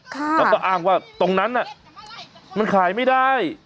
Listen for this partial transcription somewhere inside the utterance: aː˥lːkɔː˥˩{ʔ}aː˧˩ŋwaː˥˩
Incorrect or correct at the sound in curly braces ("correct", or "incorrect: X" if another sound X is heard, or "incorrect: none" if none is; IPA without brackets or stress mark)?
correct